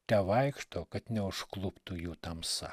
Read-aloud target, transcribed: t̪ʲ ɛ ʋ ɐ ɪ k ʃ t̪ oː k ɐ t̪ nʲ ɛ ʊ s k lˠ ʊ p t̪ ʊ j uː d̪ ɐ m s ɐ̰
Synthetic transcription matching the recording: t̪ʲ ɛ ʋ ɐ ɪ k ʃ t̪ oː k ɐ t̪ nʲ ɛ ʊ ʃ k lˠ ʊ p t̪ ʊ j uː t̪ ɐ m s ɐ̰